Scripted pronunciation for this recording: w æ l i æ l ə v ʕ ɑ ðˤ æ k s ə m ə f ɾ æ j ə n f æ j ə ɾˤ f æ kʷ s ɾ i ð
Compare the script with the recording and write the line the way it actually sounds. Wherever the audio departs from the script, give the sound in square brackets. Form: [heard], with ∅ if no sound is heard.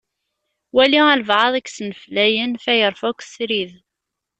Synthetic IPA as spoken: w æ l i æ l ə v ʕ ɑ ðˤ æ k s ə [n] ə f [l] æ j ə n f æ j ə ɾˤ f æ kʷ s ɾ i ð